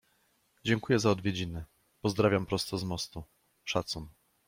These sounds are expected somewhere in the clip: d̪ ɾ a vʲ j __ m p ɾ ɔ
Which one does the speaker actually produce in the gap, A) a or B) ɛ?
A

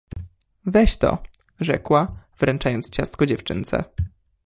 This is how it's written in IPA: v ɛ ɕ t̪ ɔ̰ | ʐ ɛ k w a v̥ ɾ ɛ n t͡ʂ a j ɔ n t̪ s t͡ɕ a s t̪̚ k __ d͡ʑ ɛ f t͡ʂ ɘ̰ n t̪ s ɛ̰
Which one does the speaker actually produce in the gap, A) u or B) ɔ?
B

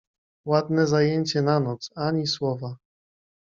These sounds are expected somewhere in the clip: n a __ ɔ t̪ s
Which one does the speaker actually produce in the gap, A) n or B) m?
A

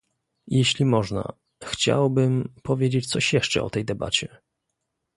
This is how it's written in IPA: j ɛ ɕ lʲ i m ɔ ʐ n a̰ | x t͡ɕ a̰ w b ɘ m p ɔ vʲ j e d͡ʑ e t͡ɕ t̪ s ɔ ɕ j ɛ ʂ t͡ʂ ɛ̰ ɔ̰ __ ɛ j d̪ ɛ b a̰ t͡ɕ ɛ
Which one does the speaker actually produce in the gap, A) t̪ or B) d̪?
A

